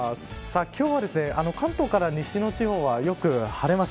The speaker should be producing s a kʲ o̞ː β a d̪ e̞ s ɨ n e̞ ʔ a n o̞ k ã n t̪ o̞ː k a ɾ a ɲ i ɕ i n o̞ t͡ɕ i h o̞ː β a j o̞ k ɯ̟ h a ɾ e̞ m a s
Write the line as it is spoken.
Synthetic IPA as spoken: s a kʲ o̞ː β a d̪ e̞ s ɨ n e̞ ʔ a n o̞ k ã n t̪ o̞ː k a ɾ a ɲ i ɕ i n o̞ t͡ɕ i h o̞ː β a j o̞ k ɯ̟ h a ɾ e̞ m a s